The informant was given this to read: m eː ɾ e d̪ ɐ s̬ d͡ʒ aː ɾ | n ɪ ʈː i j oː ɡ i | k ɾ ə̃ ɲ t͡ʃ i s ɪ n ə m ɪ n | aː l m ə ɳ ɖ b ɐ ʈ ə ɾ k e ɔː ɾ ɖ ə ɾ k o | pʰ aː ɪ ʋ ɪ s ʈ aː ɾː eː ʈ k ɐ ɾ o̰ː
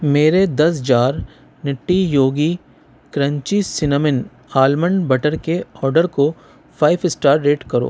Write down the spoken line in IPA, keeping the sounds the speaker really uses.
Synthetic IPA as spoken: m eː ɾ e d̪ ɐ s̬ d͡ʒ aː ɾ | n ɪ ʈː i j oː ɡ i | k ɾ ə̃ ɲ t͡ʃ i s ɪ n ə m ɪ n | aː l m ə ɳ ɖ b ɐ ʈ ə ɾ k e ɔː ɾ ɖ ə ɾ k o | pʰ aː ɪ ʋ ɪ s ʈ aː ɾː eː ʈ k ɐ ɾ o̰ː

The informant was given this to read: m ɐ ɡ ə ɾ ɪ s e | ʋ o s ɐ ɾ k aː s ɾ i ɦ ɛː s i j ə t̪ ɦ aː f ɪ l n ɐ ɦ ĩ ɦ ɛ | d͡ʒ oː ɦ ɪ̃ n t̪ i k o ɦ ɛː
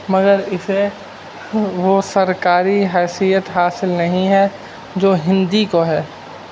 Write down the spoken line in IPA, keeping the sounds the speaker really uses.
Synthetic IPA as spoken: m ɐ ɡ ə ɾ ɪ s e | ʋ o s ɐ ɾ k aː ɾ i ɦ ɛː s i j ə t̪ ɦ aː s ɪ l n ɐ ɦ ĩ ɦ ɛ | d͡ʒ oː ɦ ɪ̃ n d̪ i k o ɦ ɛː

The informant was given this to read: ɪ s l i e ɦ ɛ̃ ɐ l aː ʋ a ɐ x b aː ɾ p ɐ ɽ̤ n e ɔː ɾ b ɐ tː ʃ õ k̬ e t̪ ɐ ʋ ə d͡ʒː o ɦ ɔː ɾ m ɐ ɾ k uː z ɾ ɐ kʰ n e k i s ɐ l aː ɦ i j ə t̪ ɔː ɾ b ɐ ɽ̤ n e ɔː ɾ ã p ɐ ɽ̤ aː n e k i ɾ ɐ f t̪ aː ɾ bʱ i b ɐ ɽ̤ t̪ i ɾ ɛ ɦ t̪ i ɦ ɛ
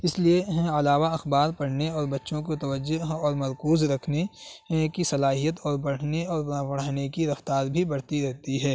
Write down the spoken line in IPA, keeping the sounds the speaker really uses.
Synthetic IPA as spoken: ɪ s l i e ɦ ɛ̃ ɐ l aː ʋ a ɐ x b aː ɾ p ɐ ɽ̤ n e ɔː ɾ b ɐ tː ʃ õ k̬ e t̪ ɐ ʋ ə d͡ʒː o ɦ ɔː ɾ m ɐ ɾ k uː z ɾ ɐ kʰ n e k i s ɐ l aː ɦ i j ə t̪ ɔː ɾ b ɐ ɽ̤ n e ɔː ɾ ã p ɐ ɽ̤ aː n e k i ɾ ɐ f t̪ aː ɾ bʱ i b ɐ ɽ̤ t̪ i ɾ ɛ ɦ t̪ i ɦ ɛː

